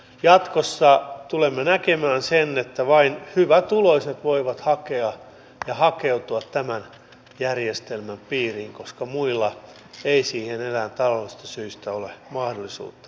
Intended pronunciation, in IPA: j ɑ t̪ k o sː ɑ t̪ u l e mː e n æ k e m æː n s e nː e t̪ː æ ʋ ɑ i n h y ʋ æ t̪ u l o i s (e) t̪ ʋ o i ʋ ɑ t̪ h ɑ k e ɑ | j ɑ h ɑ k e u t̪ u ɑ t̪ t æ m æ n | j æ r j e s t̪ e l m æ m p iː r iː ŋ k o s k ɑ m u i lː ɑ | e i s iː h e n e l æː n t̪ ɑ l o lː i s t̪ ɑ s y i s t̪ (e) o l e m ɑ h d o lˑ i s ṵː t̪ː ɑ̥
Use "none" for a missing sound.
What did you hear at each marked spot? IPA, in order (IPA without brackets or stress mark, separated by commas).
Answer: e, æ